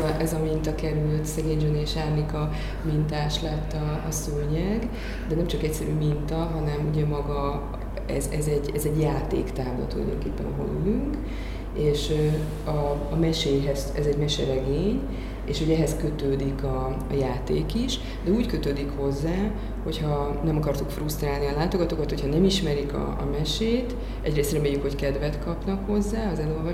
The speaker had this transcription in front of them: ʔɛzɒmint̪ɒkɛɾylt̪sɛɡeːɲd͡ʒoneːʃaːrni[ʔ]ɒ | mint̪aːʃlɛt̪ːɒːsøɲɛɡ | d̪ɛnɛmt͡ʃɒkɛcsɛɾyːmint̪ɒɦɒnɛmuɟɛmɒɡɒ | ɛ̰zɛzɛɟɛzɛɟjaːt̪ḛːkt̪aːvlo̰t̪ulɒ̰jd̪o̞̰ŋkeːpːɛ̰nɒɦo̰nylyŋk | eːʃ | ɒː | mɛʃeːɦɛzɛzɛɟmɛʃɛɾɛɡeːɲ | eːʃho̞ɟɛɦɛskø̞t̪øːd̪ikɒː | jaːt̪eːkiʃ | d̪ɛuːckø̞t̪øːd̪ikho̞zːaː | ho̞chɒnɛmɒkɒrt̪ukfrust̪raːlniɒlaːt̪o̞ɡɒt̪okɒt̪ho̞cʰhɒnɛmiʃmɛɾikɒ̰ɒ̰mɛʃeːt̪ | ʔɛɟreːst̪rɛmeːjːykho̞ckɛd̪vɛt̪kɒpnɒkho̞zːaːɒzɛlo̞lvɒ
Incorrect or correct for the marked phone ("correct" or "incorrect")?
incorrect